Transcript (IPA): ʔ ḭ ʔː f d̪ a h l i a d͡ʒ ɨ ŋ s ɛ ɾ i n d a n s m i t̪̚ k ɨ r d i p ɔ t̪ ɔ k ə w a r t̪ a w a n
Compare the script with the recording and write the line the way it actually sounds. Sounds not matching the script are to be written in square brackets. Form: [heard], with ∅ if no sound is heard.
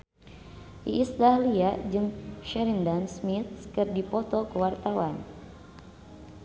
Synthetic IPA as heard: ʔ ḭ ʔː [s] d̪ a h l i a d͡ʒ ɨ ŋ [ʃ] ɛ ɾ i n d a n s m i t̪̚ k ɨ r d i p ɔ t̪ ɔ k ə w a r t̪ a w a n